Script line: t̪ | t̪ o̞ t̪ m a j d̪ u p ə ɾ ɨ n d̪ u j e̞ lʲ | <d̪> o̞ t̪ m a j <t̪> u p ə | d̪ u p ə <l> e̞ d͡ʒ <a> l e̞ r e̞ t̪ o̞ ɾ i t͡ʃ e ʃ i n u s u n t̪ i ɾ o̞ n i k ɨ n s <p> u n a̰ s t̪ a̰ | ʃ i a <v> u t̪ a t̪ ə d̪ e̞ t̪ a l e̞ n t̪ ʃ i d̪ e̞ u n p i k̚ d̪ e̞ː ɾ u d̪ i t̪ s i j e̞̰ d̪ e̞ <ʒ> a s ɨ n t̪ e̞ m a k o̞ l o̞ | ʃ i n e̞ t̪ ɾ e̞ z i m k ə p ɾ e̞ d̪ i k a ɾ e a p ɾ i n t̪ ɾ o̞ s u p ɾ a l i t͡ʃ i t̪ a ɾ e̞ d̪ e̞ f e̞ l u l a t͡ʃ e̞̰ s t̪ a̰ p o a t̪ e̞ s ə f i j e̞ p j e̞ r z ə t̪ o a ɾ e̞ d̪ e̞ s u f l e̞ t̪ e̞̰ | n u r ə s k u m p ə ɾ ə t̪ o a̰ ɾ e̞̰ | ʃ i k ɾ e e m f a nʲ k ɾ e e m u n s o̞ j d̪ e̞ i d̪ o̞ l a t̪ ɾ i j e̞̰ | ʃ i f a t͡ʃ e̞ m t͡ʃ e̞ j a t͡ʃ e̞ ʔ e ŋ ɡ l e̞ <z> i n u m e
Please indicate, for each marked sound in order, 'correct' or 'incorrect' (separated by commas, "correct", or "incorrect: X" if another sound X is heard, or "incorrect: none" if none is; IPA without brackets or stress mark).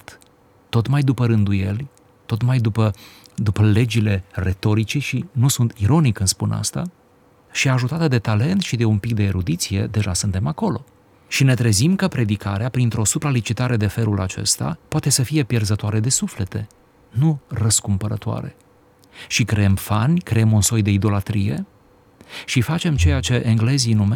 incorrect: t̪, incorrect: d̪, correct, incorrect: i, correct, incorrect: ʒ, correct, correct